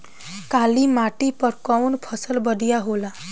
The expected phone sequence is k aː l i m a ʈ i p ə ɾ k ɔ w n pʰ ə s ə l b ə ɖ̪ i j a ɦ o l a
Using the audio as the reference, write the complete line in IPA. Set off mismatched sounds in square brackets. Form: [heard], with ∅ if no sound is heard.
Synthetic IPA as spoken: k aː l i m a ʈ i p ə ɾ k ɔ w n pʰ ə s ə l b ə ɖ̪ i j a ɦ o l a